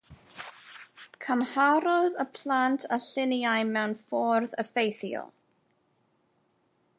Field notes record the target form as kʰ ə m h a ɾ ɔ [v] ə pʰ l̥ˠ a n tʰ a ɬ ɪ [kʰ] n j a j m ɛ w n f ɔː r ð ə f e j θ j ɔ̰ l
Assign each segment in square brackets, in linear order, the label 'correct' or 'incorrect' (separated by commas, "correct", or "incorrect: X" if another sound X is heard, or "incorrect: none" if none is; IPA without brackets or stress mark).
incorrect: ð, incorrect: none